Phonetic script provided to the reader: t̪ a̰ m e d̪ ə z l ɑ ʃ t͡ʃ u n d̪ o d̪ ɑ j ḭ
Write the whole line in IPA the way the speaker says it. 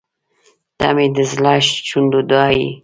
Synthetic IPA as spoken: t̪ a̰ m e d̪ ə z l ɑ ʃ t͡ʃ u n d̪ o d̪ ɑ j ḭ